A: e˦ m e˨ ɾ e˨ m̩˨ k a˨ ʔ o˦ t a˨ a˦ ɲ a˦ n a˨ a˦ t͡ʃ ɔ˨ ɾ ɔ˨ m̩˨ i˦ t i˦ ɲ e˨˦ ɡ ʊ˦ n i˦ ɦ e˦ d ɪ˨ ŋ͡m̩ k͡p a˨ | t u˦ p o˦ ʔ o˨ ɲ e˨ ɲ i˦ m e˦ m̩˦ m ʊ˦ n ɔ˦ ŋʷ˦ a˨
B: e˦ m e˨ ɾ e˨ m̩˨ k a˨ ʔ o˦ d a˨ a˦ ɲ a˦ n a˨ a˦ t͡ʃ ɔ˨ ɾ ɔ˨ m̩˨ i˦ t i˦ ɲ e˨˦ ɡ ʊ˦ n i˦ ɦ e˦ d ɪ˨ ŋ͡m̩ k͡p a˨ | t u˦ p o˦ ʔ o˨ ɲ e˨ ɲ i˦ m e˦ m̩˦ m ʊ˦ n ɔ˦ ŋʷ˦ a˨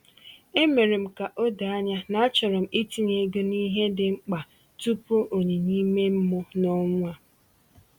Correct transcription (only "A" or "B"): B